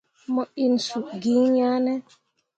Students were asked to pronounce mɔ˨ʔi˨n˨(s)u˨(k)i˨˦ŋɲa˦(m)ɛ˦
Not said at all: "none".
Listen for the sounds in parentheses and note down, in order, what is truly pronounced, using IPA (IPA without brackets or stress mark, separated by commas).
s, ɡ, n